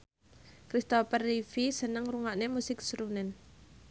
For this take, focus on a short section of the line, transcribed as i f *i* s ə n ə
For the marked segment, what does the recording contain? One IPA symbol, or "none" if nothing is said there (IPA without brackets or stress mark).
i